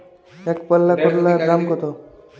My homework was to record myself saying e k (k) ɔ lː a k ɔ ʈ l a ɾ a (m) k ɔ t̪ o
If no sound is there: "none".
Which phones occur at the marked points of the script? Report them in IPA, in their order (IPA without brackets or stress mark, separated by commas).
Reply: p, m